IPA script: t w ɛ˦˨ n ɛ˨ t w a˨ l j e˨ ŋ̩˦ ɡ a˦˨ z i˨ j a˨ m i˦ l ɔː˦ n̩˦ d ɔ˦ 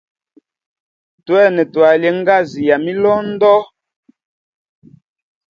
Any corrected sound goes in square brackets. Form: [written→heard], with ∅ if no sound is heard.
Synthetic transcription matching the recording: t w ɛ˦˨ n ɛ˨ t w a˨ l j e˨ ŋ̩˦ ɡ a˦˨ z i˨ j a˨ m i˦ l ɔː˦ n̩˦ d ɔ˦